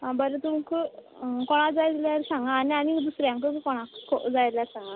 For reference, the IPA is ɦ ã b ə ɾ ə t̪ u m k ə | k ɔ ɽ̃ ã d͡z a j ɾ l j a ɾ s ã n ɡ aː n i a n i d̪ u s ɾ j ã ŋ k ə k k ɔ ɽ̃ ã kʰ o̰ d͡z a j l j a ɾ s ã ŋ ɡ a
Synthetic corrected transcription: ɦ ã b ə ɾ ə t̪ u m k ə | k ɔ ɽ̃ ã d͡z a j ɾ l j a ɾ s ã ŋ ɡ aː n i a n i d̪ u s ɾ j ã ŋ k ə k k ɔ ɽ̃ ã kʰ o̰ d͡z a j l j a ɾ s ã ŋ ɡ a